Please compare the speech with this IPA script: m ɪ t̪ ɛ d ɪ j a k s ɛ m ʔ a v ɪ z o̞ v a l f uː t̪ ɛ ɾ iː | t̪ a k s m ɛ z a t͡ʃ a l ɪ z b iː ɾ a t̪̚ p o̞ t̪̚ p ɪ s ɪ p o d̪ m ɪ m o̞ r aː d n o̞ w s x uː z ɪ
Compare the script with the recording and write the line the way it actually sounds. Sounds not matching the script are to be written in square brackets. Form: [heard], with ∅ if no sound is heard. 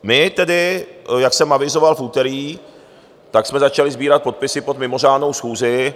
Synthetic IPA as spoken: m ɪ t̪ ɛ d ɪ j a k s ɛ m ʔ a v ɪ z o̞ v a l f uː t̪ ɛ ɾ iː | t̪ a k s m ɛ z a t͡ʃ a l ɪ z b iː ɾ a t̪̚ p o̞ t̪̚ p ɪ s ɪ p o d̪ m ɪ m o̞ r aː d n o̞ w s x uː z ɪ

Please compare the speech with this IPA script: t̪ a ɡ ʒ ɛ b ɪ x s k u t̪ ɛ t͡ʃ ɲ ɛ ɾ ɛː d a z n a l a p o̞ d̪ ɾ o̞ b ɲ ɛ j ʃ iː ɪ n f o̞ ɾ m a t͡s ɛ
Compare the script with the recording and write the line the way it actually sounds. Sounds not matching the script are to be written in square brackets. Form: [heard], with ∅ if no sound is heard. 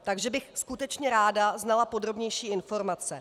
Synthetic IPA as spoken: t̪ a ɡ ʒ ɛ b ɪ x s k u t̪ ɛ t͡ʃ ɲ ɛ ɾ [aː] d a z n a l a p o̞ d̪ ɾ o̞ b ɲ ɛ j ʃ iː ɪ n f o̞ ɾ m a t͡s ɛ

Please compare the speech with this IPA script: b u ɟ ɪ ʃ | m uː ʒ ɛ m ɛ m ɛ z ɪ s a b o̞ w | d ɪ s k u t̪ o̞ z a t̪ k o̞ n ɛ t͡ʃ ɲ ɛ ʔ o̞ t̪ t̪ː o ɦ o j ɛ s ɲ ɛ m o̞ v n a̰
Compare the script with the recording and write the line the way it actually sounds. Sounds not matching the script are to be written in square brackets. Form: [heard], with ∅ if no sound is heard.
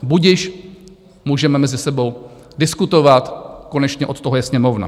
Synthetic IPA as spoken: b u ɟ ɪ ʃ | m uː ʒ ɛ m ɛ m ɛ z ɪ s [ɛ] b o̞ w | d ɪ s k u t̪ o̞ [v] a t̪ k o̞ n ɛ t͡ʃ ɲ ɛ ʔ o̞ t̪ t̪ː o ɦ o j ɛ s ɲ ɛ m o̞ v n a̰

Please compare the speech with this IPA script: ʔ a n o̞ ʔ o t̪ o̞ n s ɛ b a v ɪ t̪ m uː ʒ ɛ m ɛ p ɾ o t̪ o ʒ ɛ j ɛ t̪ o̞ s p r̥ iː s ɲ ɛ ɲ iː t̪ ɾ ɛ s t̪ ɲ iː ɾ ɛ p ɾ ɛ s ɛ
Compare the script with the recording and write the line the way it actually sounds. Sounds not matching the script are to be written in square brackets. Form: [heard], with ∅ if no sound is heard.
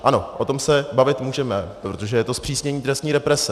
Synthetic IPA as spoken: ʔ a n o̞ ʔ o t̪ o̞ [m] s ɛ b a v ɪ t̪ m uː ʒ ɛ m ɛ p ɾ o t̪ o ʒ ɛ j ɛ t̪ o̞ s p r̥ iː s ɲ ɛ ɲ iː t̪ ɾ ɛ s t̪ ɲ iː ɾ ɛ p ɾ ɛ s ɛ

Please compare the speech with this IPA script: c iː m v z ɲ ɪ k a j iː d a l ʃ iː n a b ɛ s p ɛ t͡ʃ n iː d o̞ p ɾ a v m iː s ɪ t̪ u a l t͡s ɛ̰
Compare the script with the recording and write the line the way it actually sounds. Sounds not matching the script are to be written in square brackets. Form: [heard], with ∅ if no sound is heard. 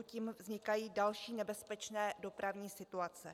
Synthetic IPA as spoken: c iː m v z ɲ ɪ k a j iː d a l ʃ iː n [ɛ] b ɛ s p ɛ t͡ʃ n [ɛː] d o̞ p ɾ a v [ɲ] iː s ɪ t̪ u a [∅] t͡s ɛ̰

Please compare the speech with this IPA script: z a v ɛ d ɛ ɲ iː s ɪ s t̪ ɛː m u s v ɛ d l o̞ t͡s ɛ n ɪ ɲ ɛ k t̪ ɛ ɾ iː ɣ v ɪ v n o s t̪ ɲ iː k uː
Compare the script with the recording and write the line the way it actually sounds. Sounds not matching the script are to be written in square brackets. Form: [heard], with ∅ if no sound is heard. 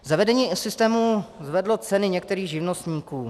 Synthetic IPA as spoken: z a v ɛ d ɛ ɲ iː s ɪ s t̪ ɛː m u [z] v ɛ d l o̞ t͡s ɛ n ɪ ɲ ɛ k t̪ ɛ ɾ iː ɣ [ʒ] ɪ v n o s t̪ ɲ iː k uː

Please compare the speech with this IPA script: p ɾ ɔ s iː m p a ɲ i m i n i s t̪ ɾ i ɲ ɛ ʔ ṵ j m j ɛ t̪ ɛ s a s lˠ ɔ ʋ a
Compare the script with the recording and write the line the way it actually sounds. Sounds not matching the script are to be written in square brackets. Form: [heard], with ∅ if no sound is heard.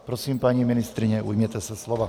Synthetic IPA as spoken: p ɾ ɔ s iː m p a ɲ i m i n i s t̪ ɾ i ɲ ɛ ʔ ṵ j m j ɛ t̪ ɛ s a s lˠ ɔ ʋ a

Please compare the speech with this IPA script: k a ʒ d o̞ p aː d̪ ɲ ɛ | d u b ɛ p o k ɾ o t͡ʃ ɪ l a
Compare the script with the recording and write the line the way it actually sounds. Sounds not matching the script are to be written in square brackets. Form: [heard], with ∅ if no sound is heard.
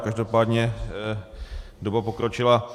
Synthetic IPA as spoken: k a ʒ d o̞ p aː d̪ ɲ ɛ | d [o] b [a] p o k ɾ o t͡ʃ ɪ l a

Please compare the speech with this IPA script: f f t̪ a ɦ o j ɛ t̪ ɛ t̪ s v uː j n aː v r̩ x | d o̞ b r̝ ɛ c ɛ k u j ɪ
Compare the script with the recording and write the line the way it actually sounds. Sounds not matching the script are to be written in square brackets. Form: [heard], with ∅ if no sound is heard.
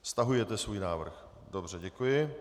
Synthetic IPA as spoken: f [s] t̪ a ɦ [u] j ɛ t̪ ɛ [∅] s v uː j n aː v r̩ x | d o̞ b r̝ ɛ [ɟ] ɛ k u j ɪ

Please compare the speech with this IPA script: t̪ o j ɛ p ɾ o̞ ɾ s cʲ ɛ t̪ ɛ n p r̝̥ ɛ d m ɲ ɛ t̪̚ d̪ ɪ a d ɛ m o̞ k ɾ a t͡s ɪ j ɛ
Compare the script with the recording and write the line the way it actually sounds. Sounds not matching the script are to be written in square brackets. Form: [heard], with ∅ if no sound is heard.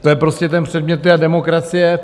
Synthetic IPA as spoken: t̪ o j ɛ p ɾ o̞ [∅] s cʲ ɛ t̪ ɛ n p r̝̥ ɛ d m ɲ ɛ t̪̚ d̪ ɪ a d ɛ m o̞ k ɾ a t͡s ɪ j ɛ

